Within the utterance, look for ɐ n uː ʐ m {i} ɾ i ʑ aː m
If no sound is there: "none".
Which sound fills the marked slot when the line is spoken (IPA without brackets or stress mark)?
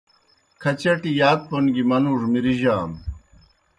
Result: i